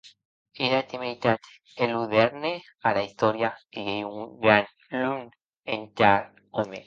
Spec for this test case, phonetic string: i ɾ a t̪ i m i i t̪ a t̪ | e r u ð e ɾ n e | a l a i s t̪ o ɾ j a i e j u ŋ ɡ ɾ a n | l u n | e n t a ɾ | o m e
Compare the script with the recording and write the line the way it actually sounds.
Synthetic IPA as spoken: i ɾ a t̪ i m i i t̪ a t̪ | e l u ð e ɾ n e | a l a i s t̪ o ɾ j a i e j u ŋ ɡ ɾ a n | l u n | e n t a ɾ | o m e